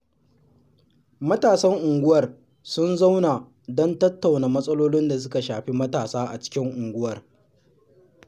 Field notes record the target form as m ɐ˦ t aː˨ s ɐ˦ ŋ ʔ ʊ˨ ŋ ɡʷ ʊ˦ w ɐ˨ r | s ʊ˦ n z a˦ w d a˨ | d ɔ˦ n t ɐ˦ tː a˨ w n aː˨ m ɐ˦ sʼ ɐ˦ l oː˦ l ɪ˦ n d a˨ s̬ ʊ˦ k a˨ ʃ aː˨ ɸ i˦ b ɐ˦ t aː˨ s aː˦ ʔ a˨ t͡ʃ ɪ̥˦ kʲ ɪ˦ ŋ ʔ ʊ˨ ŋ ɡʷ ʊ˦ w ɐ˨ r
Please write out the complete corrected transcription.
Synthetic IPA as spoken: m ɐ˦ t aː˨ s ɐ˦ ŋ ʔ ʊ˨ ŋ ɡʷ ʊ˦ w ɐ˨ r | s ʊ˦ n z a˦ w n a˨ | d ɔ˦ n t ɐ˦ tː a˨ w n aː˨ m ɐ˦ sʼ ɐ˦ l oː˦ l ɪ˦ n d a˨ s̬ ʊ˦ k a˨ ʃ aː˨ ɸ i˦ m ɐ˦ t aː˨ s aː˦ ʔ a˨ t͡ʃ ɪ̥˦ kʲ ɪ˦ ŋ ʔ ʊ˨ ŋ ɡʷ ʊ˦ w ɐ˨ r

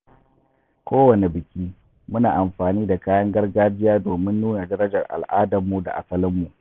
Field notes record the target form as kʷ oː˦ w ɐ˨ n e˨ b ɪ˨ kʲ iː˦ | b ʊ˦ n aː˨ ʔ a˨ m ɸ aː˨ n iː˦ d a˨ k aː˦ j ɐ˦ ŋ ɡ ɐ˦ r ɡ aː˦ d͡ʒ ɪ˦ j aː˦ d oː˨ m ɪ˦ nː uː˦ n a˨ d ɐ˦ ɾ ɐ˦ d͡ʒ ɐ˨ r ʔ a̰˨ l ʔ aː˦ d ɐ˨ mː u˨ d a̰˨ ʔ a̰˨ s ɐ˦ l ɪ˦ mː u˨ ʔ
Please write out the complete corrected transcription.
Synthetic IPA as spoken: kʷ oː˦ w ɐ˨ n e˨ b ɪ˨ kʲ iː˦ | m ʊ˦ n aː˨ ʔ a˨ m ɸ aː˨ n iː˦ d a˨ k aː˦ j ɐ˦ ŋ ɡ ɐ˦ r ɡ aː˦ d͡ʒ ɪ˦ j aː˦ d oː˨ m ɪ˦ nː uː˦ n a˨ d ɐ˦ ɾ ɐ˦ d͡ʒ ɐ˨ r ʔ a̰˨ l ʔ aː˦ d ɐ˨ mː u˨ d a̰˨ ʔ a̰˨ s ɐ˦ l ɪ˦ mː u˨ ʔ

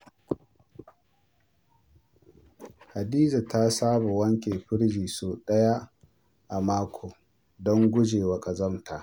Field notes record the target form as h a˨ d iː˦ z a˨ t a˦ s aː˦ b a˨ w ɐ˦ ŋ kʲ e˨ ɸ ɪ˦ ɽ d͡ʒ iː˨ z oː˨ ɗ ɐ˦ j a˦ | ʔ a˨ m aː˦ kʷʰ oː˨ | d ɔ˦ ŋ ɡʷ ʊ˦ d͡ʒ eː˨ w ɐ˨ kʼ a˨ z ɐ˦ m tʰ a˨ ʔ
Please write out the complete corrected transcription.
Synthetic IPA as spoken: h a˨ d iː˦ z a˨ t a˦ s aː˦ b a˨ w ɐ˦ ŋ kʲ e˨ ɸ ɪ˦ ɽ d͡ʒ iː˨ s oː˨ ɗ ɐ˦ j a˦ | ʔ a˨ m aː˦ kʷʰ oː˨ | d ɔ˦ ŋ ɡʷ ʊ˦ d͡ʒ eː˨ w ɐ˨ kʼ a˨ z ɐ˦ m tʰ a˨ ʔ

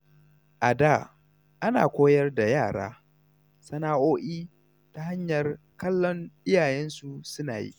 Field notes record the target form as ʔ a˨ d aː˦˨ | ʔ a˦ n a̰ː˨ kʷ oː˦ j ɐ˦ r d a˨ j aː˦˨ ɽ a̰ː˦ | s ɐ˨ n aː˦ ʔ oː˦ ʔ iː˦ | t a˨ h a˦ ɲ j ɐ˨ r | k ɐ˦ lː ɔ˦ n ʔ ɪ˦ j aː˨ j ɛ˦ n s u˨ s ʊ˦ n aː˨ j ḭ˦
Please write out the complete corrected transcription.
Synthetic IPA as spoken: ʔ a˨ d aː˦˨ | ʔ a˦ n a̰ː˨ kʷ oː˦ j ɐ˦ r d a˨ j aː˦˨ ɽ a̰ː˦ | s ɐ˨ n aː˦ ʔ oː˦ ʔ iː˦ | t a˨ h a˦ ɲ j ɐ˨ r | k ɐ˦ lː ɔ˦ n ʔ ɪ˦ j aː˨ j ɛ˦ n s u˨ s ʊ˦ n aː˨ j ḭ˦

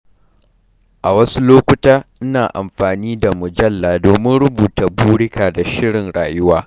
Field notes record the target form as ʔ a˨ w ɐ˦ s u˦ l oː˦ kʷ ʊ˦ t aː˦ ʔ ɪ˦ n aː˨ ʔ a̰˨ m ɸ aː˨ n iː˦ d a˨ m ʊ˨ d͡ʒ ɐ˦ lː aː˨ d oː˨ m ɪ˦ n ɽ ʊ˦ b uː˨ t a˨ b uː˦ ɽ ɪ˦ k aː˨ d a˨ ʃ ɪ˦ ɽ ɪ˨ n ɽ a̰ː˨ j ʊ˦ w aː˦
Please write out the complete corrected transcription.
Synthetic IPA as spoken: ʔ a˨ w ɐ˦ s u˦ l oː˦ kʷ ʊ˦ t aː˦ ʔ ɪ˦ n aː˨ ʔ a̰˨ m ɸ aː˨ n iː˦ d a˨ m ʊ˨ d͡ʒ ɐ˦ lː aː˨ d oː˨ m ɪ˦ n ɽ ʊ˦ b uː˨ t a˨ b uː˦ ɽ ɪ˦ k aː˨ d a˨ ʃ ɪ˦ ɽ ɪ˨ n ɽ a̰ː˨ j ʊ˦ w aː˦

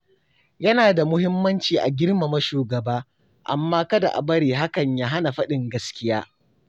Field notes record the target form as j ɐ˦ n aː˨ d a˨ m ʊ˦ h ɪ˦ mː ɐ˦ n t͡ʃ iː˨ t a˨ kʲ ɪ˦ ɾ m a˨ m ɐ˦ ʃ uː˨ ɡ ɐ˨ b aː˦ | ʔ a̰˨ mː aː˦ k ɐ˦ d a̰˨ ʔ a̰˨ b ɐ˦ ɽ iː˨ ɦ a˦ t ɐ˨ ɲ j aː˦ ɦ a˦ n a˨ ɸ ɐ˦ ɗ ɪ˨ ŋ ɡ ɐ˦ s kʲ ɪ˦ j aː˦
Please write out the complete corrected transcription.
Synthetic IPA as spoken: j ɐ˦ n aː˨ d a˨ m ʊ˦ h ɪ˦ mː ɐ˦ n t͡ʃ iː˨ ʔ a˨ ɡʲ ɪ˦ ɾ m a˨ m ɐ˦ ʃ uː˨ ɡ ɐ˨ b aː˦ | ʔ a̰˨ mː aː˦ k ɐ˦ d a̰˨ ʔ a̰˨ b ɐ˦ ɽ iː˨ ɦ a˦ k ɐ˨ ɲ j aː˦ ɦ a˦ n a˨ ɸ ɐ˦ ɗ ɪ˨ ŋ ɡ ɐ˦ s kʲ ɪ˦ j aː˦

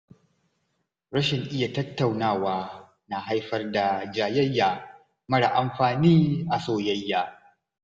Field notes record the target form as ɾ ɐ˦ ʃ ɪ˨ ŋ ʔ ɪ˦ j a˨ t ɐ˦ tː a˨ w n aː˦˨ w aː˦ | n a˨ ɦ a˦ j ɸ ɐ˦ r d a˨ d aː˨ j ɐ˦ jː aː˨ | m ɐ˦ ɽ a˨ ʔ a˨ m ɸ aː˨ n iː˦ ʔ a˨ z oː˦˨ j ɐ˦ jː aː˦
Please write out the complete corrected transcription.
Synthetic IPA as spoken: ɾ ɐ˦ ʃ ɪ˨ ŋ ʔ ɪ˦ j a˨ t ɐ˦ tː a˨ w n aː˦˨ w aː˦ | n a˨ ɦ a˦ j ɸ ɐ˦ r d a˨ d͡ʒ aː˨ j ɐ˦ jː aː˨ | m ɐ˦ ɽ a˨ ʔ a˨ m ɸ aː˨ n iː˦ ʔ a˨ s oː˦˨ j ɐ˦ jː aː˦

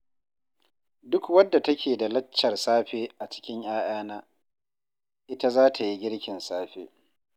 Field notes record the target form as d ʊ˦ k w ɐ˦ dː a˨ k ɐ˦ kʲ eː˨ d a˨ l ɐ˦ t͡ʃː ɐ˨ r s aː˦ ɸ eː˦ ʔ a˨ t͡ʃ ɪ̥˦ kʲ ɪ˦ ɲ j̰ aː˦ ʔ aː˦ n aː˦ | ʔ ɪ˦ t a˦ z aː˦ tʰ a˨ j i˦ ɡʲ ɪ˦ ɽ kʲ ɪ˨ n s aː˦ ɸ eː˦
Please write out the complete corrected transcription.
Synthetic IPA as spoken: d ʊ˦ k w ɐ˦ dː a˨ t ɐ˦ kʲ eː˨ d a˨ l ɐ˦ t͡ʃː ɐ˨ r s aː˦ ɸ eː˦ ʔ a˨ t͡ʃ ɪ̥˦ kʲ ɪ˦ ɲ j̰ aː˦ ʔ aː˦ n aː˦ | ʔ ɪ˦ t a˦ z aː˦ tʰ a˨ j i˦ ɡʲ ɪ˦ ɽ kʲ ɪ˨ n s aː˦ ɸ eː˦

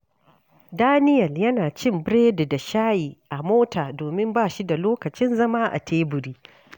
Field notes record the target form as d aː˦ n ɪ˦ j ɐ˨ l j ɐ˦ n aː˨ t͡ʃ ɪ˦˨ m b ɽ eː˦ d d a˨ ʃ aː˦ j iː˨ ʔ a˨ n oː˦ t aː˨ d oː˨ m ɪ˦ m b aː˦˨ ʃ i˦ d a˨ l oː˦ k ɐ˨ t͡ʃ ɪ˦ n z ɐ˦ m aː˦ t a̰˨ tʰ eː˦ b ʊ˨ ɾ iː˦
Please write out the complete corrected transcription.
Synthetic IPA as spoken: d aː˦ n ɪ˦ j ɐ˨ l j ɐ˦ n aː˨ t͡ʃ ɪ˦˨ m b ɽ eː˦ d d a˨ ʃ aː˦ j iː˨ ʔ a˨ m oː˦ t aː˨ d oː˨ m ɪ˦ m b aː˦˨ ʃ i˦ d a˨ l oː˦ k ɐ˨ t͡ʃ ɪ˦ n z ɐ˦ m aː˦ ʔ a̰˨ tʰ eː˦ b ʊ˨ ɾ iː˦

